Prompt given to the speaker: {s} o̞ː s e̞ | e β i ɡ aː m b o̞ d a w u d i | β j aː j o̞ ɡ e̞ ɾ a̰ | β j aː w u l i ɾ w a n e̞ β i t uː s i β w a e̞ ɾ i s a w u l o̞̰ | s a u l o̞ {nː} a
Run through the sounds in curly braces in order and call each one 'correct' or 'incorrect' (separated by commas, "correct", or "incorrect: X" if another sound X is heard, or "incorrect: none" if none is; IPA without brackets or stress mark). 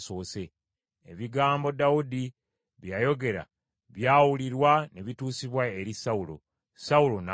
correct, incorrect: n